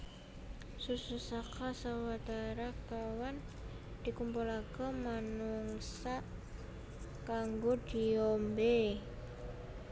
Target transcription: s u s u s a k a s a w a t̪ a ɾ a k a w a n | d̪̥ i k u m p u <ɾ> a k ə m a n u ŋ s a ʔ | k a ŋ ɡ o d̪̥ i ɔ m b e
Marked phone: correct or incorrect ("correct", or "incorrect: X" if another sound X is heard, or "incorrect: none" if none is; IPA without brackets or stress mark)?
incorrect: l